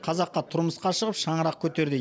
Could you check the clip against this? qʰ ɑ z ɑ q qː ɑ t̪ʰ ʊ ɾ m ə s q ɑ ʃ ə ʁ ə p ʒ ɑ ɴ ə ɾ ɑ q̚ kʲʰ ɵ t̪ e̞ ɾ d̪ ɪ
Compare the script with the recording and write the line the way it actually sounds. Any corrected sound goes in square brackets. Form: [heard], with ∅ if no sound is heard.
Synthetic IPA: qʰ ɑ z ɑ q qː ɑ t̪ʰ ʊ ɾ m ə s q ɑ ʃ ə ʁ ə p [ʃ] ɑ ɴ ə ɾ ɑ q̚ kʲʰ ɵ t̪ e̞ ɾ d̪ ɪ